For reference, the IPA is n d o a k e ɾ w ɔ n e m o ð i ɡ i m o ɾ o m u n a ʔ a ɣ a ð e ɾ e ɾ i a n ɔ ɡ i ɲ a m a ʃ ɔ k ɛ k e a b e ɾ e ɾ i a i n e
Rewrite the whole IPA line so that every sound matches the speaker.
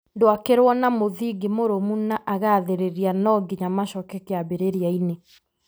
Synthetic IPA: n d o a k e ɾ w ɔ n a m o ð i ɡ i m o ɾ o m u n a ʔ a ɣ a ð e ɾ e ɾ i a n ɔ ɡ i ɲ a m a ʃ ɔ k ɛ k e a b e ɾ e ɾ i a i n e